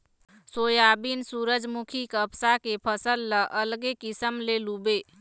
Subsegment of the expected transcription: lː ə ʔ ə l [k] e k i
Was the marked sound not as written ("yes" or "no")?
yes